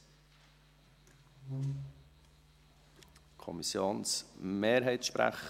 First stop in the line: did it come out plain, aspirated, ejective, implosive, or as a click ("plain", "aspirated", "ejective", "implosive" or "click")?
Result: aspirated